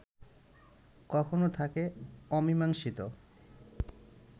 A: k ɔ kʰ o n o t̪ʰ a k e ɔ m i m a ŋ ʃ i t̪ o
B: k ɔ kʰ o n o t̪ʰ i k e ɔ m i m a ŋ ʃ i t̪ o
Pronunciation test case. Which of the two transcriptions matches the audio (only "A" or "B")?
A